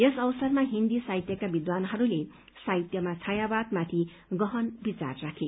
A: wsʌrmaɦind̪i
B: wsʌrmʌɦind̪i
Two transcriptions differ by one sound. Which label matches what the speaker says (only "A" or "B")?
A